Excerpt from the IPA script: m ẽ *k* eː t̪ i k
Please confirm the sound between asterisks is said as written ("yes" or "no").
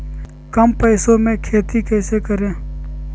no